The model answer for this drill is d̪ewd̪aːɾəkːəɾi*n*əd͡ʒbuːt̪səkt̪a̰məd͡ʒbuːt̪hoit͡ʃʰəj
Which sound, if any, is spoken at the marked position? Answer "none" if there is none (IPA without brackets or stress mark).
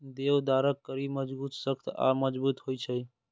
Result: m